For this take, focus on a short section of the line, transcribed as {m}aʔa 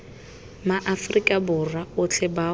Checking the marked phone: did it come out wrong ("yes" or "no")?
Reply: no